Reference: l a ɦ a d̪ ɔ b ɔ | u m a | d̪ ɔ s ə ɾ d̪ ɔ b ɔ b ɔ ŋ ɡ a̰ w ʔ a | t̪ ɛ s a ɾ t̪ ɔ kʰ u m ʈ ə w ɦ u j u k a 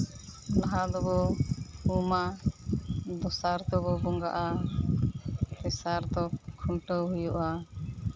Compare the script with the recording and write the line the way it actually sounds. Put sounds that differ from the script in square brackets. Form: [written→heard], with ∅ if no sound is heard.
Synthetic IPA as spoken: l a ɦ a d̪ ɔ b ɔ | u m a | d̪ ɔ s [ə→a] ɾ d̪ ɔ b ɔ b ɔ ŋ ɡ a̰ [w→∅] ʔ a | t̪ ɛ s a ɾ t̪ ɔ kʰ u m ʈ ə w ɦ u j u [k→ʔ] a